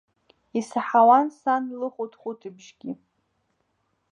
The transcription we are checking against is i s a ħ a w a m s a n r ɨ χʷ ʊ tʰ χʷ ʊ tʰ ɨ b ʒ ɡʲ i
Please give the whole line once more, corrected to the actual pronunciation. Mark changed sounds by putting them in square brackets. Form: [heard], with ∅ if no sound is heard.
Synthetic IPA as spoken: i s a ħ a w a [n] s a n [l] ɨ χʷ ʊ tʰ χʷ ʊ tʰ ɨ b ʒ ɡʲ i